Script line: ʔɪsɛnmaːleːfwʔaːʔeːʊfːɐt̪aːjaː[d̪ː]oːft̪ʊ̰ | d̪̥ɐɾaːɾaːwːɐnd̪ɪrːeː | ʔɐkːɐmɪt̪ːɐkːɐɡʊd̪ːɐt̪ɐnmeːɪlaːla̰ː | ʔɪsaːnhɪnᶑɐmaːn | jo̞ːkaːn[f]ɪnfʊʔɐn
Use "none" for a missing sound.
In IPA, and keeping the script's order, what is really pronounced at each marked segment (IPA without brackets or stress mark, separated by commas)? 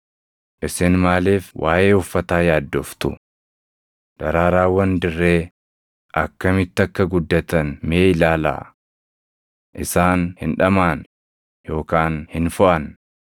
d̪ː, h